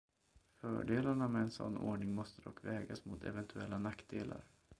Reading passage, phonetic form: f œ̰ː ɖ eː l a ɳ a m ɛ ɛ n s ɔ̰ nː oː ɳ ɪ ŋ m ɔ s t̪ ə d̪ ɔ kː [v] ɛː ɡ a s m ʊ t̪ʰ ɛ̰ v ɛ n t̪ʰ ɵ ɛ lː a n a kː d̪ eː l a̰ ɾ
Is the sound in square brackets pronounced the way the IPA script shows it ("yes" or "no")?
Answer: yes